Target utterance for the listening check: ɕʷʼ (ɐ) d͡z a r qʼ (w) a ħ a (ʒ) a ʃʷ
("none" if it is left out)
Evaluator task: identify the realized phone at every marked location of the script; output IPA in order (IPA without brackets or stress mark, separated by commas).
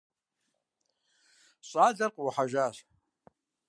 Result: a, w, ʒ